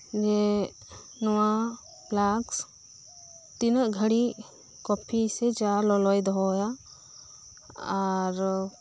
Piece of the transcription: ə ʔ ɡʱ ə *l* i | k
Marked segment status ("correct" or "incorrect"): incorrect